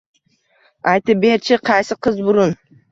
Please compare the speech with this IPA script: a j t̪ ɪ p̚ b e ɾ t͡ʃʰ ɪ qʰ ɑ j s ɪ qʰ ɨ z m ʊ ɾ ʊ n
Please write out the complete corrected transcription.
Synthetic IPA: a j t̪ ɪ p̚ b e ɾ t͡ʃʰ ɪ qʰ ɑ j s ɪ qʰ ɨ z b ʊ ɾ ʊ n